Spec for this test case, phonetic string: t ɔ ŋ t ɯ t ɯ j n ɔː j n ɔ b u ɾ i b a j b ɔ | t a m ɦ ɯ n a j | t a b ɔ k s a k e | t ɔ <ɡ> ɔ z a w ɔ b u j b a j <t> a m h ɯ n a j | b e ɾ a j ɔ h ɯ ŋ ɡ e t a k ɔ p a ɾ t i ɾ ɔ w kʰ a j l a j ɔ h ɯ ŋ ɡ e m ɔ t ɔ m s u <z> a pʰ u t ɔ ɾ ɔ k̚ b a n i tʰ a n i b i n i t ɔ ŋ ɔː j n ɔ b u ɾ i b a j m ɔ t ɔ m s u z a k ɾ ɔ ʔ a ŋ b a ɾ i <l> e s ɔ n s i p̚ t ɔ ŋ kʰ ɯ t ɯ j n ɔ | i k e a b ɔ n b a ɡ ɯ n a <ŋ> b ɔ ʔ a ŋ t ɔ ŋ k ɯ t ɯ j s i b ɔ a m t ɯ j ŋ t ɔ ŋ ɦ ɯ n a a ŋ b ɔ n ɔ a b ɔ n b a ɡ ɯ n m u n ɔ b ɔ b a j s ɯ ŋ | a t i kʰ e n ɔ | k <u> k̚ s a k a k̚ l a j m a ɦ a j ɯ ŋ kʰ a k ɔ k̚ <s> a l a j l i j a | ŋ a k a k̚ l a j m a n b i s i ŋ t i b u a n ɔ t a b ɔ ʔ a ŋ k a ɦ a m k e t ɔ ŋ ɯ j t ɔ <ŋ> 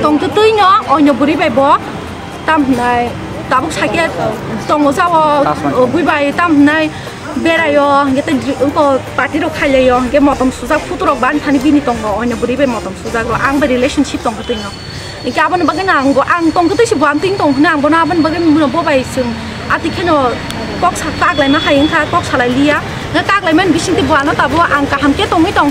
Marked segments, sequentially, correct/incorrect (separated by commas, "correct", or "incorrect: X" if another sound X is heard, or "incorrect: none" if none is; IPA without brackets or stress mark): incorrect: ŋ, correct, correct, correct, correct, incorrect: ɔ, correct, correct